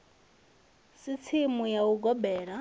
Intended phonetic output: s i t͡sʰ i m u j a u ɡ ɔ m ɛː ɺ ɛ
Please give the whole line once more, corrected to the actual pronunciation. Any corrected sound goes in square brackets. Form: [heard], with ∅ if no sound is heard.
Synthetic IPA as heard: s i t͡sʰ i m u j a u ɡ ɔ [b] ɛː ɺ [a]